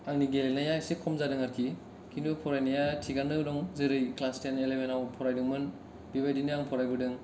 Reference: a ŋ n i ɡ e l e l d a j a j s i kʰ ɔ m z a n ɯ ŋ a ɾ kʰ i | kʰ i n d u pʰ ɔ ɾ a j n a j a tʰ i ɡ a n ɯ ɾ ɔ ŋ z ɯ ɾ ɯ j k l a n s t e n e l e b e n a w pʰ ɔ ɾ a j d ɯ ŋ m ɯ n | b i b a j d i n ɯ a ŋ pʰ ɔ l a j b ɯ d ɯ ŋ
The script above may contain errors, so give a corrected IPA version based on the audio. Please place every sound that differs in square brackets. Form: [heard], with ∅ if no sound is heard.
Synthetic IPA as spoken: a ŋ n i ɡ e l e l [n] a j a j s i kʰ ɔ m z a [d] ɯ ŋ a ɾ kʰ i | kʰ i n d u pʰ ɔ ɾ a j n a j a tʰ i ɡ a n ɯ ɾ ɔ ŋ z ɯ ɾ ɯ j k l a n s t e n e l e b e n a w pʰ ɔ ɾ a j d ɯ ŋ m ɯ n | b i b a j d i n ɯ a ŋ pʰ ɔ [ɾ] a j b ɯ d ɯ ŋ